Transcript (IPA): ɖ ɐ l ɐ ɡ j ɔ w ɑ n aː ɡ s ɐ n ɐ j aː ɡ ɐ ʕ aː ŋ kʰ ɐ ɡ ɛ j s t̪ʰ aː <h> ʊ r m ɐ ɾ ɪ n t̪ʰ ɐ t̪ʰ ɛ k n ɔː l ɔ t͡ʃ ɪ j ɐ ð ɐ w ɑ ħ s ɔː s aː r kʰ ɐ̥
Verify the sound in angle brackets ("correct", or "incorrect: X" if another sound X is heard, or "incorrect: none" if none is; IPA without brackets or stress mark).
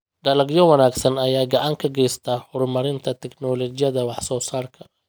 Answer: correct